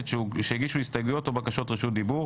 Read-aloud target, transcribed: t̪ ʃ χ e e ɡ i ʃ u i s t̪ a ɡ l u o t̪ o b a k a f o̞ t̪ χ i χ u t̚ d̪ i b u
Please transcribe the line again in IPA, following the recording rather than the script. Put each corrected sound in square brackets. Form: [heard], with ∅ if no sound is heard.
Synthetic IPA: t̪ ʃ [ʃ] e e ɡ i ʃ u i s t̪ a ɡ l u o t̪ o b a k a [ʃ] o̞ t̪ [ʁ] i [ʃ] u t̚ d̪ i b u